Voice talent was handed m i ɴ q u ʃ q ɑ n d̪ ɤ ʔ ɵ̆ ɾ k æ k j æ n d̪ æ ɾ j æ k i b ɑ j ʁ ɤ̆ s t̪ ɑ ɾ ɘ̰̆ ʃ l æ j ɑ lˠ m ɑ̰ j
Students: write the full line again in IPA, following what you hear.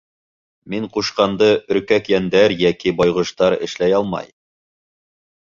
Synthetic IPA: m i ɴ q u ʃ q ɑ n d̪ ɤ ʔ ɵ̆ ɾ k æ k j æ n d̪ æ ɾ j æ k i b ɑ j ʁ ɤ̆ ʃ t̪ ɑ ɾ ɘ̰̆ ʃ l æ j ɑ lˠ m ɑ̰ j